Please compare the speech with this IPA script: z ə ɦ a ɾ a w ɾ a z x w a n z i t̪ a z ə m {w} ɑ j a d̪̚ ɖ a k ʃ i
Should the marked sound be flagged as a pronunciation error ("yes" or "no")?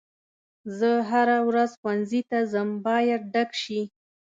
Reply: yes